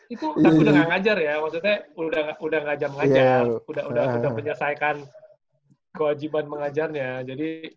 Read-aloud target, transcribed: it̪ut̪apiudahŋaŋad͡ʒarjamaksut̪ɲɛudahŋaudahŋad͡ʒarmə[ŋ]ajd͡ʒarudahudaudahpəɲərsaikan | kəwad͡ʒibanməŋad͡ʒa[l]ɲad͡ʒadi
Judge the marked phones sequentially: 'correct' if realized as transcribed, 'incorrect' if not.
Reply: correct, incorrect: r

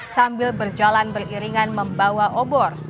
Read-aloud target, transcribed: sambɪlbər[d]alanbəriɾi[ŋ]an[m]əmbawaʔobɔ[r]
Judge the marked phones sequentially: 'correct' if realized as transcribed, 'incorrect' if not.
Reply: incorrect: d͡ʒ, correct, correct, correct

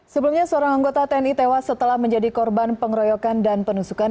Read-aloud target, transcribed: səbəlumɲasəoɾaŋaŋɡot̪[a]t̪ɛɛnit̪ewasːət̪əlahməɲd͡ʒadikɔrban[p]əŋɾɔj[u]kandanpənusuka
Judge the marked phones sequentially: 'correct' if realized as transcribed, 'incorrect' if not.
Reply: correct, correct, incorrect: ɔ

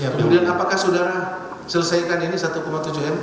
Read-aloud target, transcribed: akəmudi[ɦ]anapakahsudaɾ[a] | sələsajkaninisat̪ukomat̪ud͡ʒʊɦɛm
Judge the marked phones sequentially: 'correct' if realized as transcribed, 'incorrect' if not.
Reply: incorrect: none, correct

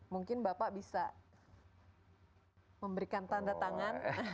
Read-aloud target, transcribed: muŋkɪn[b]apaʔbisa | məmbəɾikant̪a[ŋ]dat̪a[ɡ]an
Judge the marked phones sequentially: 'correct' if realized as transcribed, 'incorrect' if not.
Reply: correct, incorrect: n, incorrect: ŋ

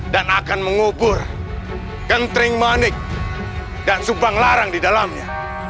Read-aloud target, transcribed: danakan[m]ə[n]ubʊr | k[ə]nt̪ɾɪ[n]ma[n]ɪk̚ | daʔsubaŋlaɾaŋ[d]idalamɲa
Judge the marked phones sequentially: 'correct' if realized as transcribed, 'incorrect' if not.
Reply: correct, incorrect: ŋ, correct, incorrect: ŋ, correct, correct

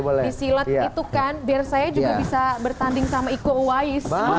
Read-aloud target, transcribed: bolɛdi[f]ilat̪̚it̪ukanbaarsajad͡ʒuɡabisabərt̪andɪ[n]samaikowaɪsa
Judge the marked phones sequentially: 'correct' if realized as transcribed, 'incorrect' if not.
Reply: incorrect: s, incorrect: ŋ

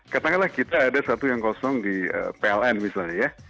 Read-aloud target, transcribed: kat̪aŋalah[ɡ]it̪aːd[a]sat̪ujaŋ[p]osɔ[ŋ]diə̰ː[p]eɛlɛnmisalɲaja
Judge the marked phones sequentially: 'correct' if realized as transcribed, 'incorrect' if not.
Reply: incorrect: k, correct, incorrect: k, correct, correct

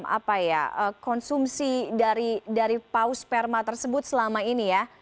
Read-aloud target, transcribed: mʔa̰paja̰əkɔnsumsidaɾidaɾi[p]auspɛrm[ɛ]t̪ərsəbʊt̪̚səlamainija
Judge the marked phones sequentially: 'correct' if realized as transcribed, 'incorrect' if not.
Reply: correct, incorrect: a

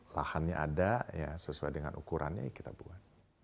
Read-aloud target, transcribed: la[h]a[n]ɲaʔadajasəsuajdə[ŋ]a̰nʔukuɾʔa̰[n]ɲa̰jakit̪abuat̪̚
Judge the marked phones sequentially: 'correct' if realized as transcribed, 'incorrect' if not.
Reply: correct, correct, correct, correct

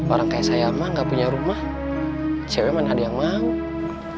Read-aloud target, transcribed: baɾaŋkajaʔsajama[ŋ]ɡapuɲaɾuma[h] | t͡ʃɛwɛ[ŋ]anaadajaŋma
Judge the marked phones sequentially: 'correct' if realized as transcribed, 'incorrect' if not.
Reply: correct, correct, incorrect: m

